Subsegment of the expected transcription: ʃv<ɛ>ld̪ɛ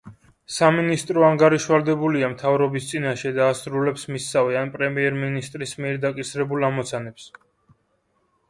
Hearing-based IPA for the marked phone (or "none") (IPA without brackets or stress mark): a